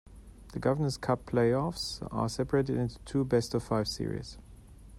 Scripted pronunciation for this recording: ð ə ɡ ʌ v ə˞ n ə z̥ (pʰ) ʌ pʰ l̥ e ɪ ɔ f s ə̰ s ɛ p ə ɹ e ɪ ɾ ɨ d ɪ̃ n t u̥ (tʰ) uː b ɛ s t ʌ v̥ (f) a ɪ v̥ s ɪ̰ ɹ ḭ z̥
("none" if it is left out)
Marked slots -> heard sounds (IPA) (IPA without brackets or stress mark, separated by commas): kʰ, tʰ, f